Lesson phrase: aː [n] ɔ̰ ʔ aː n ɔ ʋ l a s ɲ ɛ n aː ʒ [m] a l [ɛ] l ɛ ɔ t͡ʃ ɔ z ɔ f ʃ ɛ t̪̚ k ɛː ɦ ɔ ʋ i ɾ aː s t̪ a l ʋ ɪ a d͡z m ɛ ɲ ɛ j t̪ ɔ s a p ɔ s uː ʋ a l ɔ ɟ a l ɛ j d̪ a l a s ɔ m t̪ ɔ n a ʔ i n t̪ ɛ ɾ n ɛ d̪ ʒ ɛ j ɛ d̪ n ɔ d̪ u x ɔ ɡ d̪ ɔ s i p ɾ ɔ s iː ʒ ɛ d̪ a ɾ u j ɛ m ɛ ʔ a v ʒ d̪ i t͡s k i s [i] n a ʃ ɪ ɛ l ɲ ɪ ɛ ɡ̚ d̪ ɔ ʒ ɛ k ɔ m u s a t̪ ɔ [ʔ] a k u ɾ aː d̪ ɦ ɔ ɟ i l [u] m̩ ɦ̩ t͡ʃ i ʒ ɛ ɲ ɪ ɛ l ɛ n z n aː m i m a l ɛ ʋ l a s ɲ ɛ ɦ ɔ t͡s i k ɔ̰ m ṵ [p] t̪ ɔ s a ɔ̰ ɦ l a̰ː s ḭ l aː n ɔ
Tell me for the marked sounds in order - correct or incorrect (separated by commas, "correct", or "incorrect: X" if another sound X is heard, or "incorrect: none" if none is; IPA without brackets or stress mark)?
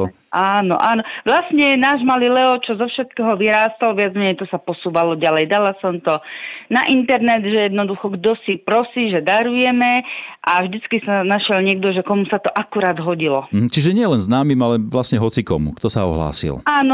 correct, correct, incorrect: i, incorrect: a, correct, incorrect: ɔ, incorrect: k